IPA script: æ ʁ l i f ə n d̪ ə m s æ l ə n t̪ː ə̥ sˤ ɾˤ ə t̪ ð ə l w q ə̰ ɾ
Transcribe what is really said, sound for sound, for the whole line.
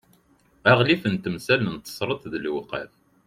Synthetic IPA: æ ʁ l i f ə n t̪ ə m s æ l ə n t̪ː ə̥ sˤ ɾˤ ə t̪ ð ə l w q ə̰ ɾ

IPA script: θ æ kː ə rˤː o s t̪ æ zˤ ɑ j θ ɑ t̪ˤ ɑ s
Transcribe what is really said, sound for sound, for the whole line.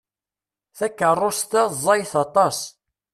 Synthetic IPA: θ æ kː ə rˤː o s t̪ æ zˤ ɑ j θ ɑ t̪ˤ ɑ s

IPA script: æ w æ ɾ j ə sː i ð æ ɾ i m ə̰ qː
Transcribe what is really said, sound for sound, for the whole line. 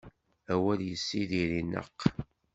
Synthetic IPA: æ w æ l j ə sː i ð i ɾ i n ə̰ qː

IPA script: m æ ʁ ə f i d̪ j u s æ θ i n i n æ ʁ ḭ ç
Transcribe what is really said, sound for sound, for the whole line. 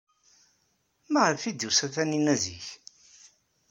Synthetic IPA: m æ ʁ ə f i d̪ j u s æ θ æ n i n æ z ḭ ç

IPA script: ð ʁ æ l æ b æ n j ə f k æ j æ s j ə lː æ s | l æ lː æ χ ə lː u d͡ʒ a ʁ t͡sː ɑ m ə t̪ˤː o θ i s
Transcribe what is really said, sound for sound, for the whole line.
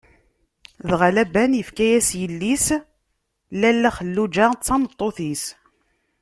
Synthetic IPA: ð ʁ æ l æ b æ n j ə f k æ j æ s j ə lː i s | l æ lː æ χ ə lː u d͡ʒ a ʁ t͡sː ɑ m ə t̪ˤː o θ i s

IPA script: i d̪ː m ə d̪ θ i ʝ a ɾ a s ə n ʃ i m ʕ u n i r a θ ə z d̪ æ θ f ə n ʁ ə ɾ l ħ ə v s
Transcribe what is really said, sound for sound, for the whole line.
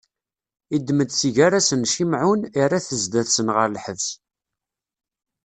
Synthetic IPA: i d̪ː m ə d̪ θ i ʝ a ɾ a s ə n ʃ i m ʕ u n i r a θ ə z d̪ æ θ s ə n ʁ ə ɾ l ħ ə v s

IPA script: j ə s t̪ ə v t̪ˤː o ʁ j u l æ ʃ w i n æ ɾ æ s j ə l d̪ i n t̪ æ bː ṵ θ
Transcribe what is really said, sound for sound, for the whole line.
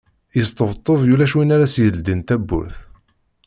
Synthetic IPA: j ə s t̪ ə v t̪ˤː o v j u l æ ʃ w i n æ ɾ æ s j ə l d̪ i n t̪ æ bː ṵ θ

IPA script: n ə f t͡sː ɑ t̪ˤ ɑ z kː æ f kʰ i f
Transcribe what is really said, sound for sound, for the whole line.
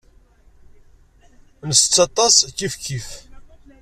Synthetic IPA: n ə s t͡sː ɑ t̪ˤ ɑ s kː i f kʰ i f

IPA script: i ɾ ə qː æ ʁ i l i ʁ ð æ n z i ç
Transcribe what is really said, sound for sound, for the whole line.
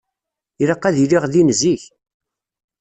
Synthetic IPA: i ɾ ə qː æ ð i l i ʁ ð i n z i ç

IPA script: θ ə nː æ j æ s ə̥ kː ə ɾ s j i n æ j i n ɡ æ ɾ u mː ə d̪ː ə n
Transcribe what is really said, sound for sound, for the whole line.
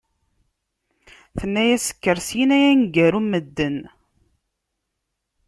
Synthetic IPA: θ ə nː æ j æ s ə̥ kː ə ɾ s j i n æ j æ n ɡ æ ɾ u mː ə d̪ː ə n

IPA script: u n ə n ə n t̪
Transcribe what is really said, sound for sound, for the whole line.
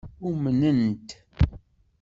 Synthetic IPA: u m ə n ə n t̪

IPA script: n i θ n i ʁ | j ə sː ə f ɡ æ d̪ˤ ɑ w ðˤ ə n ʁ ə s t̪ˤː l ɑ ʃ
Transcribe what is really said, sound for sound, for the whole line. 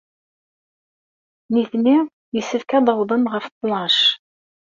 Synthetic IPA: n i θ n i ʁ | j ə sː ə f k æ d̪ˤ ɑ w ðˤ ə n ʁ ə f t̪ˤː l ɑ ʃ

